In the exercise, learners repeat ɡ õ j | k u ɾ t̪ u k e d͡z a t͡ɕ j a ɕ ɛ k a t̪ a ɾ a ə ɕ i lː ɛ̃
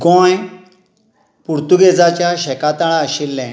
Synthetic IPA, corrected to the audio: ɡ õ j | p u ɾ t̪ u ɡ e d͡z a t͡ɕ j a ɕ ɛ k a t̪ a ɭ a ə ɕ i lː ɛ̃